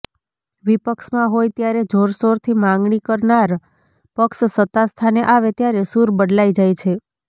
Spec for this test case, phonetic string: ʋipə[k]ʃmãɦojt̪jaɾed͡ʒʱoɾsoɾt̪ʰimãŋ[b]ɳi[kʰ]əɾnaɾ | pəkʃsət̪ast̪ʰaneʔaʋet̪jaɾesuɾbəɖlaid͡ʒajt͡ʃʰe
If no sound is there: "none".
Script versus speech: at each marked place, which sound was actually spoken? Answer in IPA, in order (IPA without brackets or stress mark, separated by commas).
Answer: k, ɡ, k